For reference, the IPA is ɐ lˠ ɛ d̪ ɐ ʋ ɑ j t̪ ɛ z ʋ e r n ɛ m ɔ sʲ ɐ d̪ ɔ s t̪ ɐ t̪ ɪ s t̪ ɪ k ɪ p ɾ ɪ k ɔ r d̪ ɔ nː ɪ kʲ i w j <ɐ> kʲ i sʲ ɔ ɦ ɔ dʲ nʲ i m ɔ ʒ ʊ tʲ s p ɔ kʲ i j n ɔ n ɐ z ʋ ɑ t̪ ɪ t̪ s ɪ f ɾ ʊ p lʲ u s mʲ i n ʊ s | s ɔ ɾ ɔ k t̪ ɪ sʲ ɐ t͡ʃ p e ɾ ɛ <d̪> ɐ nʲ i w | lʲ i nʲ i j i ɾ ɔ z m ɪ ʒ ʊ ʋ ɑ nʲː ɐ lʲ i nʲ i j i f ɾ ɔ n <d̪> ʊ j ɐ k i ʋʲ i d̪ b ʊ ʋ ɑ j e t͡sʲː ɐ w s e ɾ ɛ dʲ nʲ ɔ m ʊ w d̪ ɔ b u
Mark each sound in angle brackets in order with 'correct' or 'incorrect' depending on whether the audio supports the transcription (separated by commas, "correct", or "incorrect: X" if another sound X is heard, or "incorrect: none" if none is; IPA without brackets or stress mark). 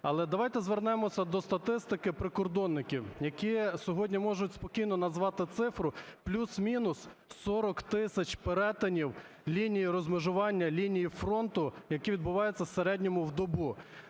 correct, incorrect: t̪, incorrect: t̪